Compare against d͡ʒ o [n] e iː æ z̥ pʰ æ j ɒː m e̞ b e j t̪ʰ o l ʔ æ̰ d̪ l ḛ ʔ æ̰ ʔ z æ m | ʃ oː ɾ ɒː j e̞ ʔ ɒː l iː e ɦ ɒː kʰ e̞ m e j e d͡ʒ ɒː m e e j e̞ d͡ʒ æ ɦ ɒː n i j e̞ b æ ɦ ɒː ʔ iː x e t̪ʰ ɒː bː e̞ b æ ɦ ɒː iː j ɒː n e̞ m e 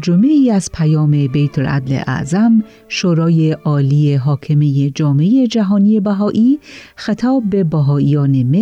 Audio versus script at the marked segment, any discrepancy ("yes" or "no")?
yes